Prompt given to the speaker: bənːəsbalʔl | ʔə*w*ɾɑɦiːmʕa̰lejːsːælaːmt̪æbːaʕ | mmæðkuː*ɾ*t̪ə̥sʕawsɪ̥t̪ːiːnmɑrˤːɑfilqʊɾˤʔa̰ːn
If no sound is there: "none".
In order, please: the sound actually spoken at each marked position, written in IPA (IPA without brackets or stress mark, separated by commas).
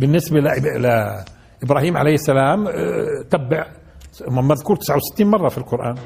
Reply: b, ɾ